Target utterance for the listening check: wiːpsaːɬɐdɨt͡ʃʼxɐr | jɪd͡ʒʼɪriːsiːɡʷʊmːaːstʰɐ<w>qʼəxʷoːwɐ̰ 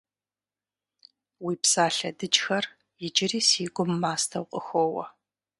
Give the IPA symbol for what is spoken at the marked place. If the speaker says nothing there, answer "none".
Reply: w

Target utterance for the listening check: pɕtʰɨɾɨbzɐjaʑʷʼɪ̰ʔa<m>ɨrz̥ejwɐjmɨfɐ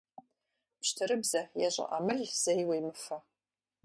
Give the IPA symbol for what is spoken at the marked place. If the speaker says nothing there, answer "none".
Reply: m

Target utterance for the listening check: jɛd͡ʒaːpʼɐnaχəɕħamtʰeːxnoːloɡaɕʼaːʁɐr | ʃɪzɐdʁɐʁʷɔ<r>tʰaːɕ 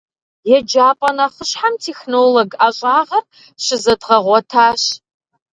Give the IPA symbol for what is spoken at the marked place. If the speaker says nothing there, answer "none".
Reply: none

